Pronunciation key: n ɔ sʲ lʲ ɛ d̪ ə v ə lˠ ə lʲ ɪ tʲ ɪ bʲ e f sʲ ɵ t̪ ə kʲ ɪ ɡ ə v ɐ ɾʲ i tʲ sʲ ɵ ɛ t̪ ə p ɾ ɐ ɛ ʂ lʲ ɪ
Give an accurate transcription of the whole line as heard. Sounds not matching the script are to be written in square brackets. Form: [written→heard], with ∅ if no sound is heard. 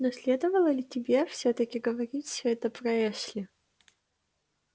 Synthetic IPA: n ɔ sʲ lʲ [ɛ→e] d̪ ə v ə lˠ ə lʲ ɪ tʲ ɪ bʲ e f sʲ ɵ t̪ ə kʲ ɪ ɡ ə v ɐ ɾʲ i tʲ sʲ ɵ ɛ t̪ ə p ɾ ɐ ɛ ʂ lʲ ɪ